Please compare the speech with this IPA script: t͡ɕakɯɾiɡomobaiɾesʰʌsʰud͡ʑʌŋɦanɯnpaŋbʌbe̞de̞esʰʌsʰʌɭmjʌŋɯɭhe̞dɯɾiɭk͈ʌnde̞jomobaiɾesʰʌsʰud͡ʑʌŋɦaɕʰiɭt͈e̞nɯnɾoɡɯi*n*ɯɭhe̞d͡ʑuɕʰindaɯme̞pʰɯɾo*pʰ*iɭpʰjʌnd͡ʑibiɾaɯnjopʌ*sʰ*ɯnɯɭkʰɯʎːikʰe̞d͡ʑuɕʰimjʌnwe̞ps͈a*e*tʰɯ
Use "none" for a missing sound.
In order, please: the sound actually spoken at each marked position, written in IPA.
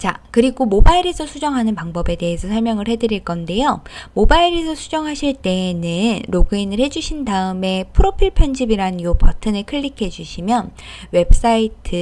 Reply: n, pʰ, tʰ, i

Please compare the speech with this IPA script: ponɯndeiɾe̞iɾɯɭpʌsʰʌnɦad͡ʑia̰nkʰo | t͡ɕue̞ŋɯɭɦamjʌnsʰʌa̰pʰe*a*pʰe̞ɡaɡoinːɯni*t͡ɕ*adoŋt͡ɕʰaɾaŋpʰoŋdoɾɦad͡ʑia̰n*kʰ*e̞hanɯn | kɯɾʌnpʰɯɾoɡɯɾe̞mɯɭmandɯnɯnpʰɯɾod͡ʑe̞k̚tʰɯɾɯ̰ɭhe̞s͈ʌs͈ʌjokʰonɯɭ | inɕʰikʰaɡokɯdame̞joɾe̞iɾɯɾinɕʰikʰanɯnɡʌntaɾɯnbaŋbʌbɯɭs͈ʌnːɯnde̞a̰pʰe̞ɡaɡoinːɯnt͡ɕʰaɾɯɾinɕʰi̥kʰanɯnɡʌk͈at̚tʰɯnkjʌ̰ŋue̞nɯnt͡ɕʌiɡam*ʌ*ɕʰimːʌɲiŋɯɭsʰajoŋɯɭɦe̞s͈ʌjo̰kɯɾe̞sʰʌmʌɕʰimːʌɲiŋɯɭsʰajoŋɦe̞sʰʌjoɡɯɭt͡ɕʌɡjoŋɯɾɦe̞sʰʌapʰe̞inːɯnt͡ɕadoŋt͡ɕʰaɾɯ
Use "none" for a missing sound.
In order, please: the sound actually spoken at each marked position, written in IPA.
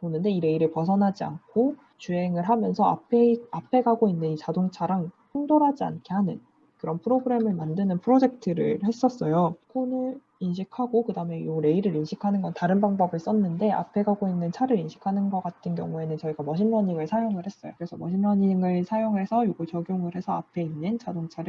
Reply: a, t͡ɕ, kʰ, ʌ

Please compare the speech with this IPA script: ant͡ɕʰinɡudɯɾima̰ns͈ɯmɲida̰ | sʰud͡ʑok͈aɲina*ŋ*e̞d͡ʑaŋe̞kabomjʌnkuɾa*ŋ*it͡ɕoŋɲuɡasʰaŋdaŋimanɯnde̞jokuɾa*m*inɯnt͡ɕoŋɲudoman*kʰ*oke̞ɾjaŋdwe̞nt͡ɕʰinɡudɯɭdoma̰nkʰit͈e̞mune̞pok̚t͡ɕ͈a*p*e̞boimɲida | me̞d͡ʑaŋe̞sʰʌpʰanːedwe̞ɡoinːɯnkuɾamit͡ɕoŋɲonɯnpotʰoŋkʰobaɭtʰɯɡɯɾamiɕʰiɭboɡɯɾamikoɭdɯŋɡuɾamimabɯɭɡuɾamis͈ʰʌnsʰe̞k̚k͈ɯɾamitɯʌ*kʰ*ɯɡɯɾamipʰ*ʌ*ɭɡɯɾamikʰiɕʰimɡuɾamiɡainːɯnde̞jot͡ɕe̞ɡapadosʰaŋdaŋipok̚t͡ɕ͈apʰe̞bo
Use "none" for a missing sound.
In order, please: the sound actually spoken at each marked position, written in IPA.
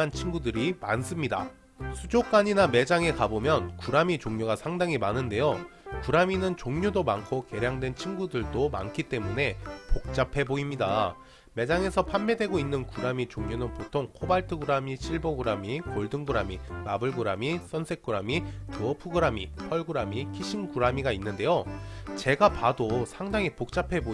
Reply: m, m, m, kʰ, pʰ, pʰ, ʌ

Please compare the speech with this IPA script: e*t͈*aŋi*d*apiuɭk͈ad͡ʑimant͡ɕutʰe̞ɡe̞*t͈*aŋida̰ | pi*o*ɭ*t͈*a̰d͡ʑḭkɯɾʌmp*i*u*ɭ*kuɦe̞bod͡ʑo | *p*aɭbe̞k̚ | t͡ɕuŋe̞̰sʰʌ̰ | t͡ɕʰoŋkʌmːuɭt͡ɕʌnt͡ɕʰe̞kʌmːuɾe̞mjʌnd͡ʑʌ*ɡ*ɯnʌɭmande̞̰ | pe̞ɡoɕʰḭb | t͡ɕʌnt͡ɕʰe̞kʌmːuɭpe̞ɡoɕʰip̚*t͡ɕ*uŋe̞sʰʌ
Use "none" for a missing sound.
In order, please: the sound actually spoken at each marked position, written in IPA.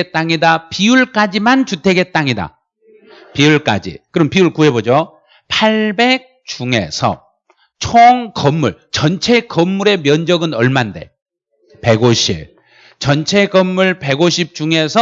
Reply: t͈, d, t͈, u, k͈, i, ɭ, pʰ, ɡ, t͡ɕ

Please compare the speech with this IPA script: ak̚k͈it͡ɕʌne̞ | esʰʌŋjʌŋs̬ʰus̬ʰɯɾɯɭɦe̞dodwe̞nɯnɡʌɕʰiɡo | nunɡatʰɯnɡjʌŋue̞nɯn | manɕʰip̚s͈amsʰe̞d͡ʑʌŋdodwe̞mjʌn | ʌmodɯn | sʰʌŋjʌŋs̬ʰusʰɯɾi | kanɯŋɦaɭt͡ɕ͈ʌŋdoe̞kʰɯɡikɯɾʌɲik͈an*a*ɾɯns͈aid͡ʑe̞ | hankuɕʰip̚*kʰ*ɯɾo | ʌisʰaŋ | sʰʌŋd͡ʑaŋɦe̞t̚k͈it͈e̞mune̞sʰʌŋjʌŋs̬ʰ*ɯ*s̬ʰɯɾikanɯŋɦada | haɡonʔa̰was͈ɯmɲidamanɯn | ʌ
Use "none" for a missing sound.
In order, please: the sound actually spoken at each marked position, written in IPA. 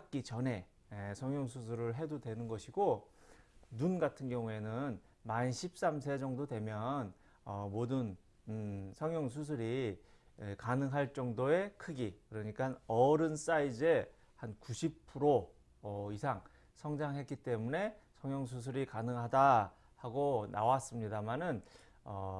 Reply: ʌ, pʰ, u

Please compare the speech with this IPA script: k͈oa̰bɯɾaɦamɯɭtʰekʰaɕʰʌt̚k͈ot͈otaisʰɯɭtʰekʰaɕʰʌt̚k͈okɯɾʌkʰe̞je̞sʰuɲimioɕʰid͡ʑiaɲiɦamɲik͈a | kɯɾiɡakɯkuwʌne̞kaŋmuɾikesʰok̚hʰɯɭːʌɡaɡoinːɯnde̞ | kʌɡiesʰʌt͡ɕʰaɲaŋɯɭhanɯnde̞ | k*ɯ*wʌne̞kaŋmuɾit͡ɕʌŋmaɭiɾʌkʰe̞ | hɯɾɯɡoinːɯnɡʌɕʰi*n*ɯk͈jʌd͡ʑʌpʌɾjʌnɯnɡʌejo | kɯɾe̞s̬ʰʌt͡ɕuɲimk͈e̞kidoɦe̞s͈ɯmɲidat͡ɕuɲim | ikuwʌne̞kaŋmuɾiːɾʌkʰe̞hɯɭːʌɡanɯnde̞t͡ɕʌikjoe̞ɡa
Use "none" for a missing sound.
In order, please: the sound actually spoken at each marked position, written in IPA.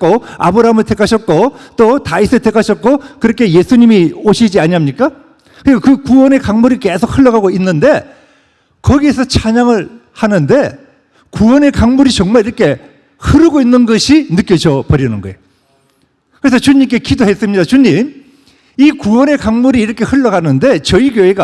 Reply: u, n

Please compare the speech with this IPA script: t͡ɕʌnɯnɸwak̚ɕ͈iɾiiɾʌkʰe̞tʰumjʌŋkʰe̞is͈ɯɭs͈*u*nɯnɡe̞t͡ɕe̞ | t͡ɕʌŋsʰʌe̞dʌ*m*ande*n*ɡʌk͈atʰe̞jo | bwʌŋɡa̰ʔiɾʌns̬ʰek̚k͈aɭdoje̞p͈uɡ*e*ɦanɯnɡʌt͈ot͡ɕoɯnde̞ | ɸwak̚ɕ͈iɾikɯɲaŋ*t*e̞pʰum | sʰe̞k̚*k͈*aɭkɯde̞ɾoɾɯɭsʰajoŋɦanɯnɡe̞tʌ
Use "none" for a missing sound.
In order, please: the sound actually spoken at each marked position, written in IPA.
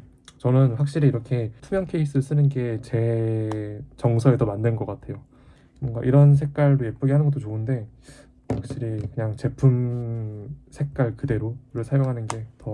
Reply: ɯ, m, n, i, t͡ɕ, k͈

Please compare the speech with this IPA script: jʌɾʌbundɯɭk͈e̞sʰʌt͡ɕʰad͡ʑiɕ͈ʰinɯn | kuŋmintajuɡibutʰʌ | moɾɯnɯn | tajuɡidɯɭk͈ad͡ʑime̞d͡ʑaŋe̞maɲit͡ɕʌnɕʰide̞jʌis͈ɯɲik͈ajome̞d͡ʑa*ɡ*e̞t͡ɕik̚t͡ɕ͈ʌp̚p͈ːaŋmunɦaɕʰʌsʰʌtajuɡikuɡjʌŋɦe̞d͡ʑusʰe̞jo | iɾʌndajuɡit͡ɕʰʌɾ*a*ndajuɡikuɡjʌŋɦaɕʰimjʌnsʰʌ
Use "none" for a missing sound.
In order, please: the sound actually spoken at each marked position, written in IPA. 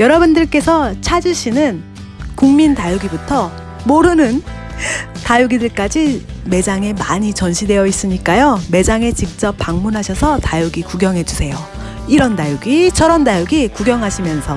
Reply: ŋ, ʌ

